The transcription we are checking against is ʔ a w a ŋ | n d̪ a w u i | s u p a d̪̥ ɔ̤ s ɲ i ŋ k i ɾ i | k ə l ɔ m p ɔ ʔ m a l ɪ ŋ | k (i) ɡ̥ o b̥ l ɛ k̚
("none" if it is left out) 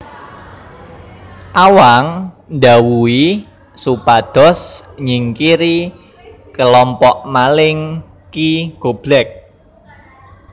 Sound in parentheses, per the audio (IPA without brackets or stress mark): i